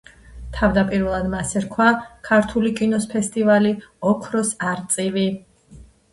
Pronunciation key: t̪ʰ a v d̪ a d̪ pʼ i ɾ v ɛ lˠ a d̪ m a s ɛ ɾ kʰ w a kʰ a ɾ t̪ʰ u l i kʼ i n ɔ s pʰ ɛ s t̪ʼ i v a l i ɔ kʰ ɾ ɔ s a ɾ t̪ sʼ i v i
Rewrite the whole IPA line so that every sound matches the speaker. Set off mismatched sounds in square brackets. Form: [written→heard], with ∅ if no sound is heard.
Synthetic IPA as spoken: t̪ʰ a v d̪ a [d̪→∅] pʼ i ɾ v ɛ lˠ a d̪ m a s ɛ ɾ kʰ w a kʰ a ɾ t̪ʰ u l i kʼ i n ɔ s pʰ ɛ s t̪ʼ i v a l i ɔ kʰ ɾ ɔ s a ɾ t̪ sʼ i v i